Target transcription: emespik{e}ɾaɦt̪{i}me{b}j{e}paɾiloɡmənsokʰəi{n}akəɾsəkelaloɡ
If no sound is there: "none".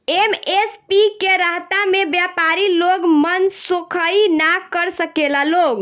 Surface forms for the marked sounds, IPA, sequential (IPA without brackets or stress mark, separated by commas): e, a, b, a, n